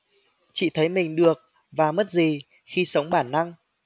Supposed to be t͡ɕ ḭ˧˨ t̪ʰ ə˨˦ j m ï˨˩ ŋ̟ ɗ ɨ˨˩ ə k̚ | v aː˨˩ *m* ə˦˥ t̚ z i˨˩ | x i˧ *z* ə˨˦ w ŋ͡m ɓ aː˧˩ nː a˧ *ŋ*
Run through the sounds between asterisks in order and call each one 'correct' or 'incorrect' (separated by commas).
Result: correct, incorrect, correct